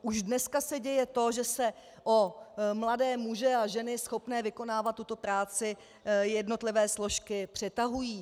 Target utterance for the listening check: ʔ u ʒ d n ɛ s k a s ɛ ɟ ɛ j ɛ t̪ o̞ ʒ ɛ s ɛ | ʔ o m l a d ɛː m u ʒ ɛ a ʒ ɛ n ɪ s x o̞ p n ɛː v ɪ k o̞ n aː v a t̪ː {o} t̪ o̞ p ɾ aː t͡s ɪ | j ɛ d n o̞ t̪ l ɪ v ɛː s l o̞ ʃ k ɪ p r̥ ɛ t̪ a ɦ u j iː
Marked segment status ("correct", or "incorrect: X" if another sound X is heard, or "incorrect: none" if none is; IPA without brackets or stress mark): incorrect: u